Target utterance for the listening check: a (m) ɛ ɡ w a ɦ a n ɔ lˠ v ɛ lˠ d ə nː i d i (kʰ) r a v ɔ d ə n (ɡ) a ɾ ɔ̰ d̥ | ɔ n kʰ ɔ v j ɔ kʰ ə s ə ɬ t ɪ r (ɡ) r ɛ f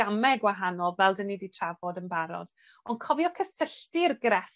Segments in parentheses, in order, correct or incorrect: correct, incorrect: tʰ, incorrect: b, correct

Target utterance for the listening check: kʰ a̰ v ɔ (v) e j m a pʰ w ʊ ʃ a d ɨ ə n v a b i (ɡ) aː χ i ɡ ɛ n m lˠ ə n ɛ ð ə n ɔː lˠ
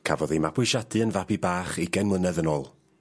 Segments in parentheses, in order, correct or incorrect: incorrect: ð, incorrect: b

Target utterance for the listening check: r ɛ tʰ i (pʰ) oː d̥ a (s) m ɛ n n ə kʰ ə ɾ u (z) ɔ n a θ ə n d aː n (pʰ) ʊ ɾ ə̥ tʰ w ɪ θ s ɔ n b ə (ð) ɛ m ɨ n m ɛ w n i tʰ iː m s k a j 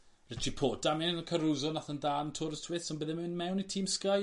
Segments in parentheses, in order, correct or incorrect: correct, incorrect: none, correct, incorrect: tʰ, correct

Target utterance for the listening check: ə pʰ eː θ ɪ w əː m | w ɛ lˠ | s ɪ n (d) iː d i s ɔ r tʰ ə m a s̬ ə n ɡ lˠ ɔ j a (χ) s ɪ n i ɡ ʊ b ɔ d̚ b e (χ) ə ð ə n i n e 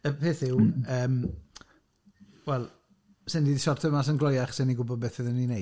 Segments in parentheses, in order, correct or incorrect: correct, correct, incorrect: θ

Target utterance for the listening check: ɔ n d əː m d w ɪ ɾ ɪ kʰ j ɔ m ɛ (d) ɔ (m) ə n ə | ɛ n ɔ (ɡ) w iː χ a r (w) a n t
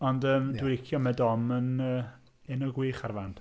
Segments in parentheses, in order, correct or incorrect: correct, correct, correct, incorrect: v

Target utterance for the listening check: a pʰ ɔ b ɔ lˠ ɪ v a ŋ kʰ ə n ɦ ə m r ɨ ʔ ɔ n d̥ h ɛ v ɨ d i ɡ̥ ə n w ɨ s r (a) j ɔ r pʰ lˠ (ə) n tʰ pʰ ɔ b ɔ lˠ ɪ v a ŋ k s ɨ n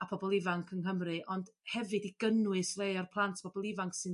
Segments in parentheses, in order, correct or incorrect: incorrect: e, incorrect: a

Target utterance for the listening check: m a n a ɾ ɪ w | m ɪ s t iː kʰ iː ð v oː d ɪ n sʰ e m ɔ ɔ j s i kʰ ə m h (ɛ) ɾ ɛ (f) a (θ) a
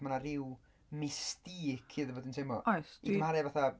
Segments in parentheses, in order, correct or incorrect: incorrect: a, incorrect: v, correct

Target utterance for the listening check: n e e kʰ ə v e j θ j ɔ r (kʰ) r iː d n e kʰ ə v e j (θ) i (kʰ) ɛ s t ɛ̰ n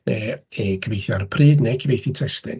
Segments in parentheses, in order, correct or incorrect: incorrect: pʰ, correct, incorrect: tʰ

